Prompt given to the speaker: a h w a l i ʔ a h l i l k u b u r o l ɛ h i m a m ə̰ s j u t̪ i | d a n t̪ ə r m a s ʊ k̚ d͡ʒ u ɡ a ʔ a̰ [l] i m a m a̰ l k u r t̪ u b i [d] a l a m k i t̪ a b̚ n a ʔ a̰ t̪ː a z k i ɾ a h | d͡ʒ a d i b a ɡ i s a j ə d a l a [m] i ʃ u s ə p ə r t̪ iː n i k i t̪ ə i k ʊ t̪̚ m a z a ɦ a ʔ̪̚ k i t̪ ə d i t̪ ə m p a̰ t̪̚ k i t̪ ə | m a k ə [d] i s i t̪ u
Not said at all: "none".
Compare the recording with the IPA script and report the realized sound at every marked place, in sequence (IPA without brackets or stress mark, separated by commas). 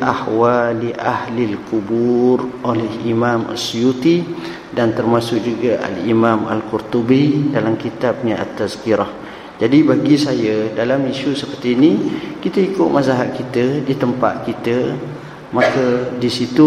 l, d, m, d